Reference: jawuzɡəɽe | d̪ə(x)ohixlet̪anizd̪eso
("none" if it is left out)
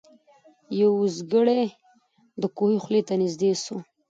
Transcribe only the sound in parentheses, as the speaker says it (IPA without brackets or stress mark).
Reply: k